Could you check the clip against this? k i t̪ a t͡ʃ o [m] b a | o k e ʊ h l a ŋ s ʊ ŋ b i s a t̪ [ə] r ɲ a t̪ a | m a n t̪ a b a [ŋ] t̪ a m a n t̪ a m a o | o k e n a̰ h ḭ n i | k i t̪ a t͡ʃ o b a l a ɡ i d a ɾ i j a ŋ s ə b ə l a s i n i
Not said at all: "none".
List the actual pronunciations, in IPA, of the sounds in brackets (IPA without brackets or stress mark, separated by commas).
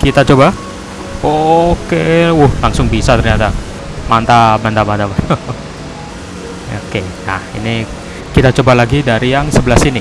none, ə, n